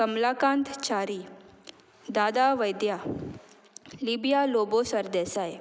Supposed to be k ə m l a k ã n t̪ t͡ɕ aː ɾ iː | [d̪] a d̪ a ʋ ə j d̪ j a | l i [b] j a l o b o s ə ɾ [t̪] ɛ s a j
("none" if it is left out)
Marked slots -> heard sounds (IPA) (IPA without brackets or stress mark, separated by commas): d̪, b, d̪